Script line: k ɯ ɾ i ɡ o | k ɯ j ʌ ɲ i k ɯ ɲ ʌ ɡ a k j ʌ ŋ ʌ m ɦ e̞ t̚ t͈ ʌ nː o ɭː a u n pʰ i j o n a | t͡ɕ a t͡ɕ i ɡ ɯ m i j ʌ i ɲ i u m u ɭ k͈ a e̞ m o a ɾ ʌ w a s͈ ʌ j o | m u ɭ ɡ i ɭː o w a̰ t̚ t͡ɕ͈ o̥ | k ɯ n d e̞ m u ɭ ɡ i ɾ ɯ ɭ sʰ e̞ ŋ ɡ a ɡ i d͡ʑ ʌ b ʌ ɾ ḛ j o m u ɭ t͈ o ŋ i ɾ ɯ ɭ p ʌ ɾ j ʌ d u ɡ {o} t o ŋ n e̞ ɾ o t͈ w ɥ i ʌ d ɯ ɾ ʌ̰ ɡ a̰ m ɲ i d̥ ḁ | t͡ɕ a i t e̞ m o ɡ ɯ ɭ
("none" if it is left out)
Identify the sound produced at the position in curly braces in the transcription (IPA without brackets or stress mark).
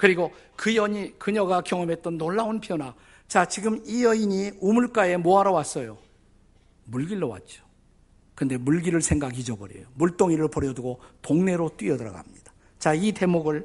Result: o